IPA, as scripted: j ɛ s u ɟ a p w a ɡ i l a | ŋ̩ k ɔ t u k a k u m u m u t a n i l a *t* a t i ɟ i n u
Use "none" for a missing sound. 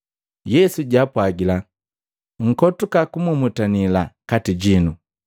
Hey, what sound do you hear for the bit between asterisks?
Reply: k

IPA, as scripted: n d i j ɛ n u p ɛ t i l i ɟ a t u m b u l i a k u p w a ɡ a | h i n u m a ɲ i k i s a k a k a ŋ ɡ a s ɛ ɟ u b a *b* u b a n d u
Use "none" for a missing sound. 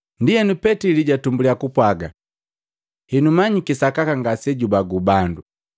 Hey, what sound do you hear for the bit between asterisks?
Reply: ɡ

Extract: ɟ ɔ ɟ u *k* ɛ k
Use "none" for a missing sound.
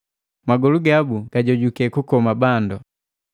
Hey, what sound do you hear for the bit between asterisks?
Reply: k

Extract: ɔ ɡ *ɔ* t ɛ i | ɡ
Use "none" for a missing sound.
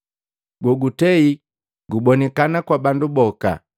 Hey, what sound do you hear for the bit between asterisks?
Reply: u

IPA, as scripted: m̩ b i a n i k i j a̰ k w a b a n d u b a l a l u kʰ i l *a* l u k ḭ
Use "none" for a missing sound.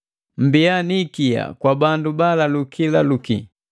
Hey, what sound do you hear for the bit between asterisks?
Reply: a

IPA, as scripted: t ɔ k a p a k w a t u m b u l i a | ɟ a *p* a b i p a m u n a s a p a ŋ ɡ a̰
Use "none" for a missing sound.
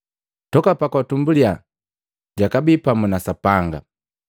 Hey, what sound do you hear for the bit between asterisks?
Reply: k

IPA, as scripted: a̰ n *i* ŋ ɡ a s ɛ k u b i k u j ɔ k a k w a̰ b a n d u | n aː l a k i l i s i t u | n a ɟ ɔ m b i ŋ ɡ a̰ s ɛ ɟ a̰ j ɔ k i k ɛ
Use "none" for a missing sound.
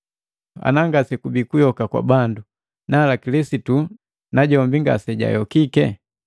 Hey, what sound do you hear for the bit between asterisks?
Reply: a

